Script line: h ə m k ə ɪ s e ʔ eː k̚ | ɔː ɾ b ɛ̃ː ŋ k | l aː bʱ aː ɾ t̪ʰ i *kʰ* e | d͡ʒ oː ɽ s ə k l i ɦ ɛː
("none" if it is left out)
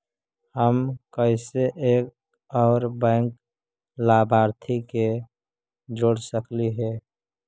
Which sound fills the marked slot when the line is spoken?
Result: k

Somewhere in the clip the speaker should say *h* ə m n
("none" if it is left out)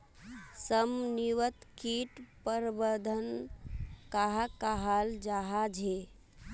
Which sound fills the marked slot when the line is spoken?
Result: s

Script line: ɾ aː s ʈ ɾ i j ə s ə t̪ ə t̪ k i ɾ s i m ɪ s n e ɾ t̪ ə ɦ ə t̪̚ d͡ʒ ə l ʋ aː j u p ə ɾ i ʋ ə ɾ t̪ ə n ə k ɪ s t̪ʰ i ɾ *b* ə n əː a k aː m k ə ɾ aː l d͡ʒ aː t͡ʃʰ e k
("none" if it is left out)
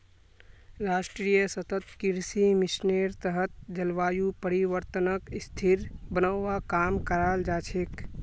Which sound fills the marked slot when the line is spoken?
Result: b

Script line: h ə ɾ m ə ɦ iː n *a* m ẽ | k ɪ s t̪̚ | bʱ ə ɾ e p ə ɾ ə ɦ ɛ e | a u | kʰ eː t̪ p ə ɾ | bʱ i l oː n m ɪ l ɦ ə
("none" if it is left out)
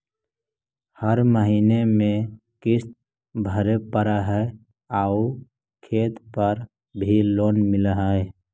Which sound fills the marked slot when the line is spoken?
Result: e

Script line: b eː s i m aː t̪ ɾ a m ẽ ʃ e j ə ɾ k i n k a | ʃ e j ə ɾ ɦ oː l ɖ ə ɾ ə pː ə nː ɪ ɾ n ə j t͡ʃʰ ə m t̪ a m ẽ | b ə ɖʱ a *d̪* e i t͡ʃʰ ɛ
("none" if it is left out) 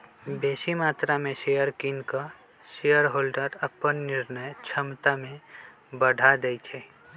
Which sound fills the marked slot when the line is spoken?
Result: d̪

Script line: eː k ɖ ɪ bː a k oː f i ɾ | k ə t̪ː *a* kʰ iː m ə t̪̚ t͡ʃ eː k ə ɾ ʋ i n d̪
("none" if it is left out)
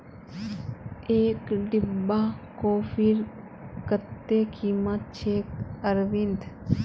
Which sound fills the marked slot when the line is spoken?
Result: e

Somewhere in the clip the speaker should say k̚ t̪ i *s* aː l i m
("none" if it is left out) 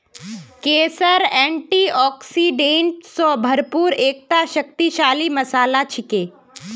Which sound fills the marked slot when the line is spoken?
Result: ʃ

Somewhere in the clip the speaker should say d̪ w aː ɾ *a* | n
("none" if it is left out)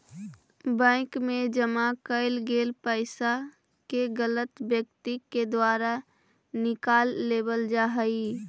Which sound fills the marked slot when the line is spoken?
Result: a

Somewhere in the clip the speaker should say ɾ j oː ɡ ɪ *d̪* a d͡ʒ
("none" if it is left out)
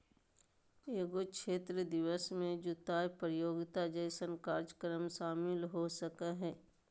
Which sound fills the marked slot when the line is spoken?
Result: t̪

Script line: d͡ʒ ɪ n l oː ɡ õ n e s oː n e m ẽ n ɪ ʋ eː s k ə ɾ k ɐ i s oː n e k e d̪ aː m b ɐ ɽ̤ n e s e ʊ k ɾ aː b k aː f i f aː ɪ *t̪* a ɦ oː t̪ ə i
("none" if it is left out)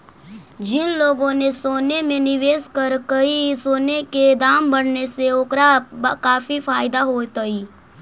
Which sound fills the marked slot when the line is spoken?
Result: d̪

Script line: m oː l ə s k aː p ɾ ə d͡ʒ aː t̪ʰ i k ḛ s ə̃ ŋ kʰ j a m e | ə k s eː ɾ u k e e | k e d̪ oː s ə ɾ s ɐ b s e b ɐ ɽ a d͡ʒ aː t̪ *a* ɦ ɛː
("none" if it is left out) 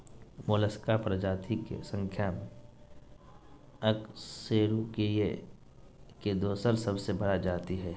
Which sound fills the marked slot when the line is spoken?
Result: i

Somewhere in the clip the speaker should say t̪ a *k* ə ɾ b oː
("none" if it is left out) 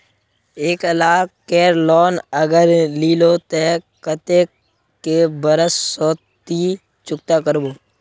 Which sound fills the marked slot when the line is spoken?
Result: k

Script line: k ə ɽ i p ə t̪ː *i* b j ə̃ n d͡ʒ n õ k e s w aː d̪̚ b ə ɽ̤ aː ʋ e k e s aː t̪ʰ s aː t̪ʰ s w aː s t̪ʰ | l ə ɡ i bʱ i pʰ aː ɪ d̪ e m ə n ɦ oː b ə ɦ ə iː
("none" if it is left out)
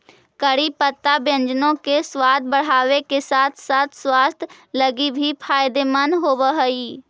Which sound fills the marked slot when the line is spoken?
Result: a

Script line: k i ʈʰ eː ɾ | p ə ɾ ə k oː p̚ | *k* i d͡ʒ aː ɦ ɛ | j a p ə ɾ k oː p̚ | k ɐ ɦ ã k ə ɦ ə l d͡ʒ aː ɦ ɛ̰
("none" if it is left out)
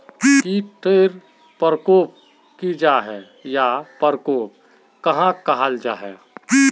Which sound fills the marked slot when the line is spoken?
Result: k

